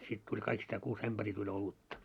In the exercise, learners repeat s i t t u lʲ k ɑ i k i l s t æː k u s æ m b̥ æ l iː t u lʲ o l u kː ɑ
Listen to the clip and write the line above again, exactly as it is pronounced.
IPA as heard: s i t t u lʲ k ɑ i k i s t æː k uː s æ m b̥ æ r iː t u lʲ o l u tː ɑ